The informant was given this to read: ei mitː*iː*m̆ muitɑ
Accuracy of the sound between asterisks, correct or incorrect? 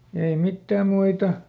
incorrect